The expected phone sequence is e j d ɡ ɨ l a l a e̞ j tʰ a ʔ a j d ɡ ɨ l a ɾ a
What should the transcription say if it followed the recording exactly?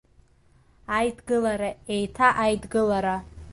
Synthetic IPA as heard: a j d ɡ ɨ l a ɾ a e̞ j tʰ a ʔ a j d ɡ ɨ l a ɾ a